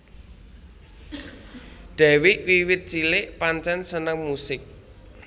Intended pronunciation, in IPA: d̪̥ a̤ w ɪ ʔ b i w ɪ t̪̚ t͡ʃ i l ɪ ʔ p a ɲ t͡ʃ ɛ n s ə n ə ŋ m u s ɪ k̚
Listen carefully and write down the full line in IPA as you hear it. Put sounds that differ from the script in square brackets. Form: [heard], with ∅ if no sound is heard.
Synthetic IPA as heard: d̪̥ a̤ w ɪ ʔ [w] i w ɪ t̪̚ t͡ʃ i l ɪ ʔ p a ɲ t͡ʃ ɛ n s ə n ə ŋ m u s ɪ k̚